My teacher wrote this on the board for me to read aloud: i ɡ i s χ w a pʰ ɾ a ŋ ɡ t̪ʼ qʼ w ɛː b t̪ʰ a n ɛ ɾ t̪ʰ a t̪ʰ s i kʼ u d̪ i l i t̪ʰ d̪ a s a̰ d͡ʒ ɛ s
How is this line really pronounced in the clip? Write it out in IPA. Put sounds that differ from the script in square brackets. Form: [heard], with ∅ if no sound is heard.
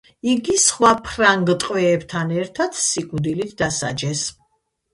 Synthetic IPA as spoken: i ɡ i s χ w a pʰ ɾ a ŋ ɡ t̪ʼ qʼ w ɛː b t̪ʰ a n ɛ ɾ t̪ʰ a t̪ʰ s i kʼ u d̪ i l i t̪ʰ d̪ a s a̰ d͡ʒ ɛ s